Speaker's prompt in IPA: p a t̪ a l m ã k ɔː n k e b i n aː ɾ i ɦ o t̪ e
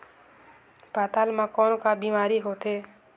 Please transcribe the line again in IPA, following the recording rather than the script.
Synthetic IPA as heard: p a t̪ a l m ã k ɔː n k a b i m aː ɾ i ɦ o t̪ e